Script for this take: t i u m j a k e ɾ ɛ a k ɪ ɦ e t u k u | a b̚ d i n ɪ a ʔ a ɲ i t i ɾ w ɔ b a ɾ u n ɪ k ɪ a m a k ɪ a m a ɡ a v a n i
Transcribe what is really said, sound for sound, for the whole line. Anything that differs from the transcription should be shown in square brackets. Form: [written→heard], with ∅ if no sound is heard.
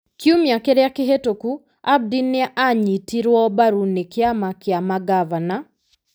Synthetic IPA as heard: [t→k] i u m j a k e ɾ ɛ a k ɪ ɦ e t [u→o] k u | a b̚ d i n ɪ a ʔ a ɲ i t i ɾ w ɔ b a ɾ u n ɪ k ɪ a m a k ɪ a m a ɡ a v a n [i→a]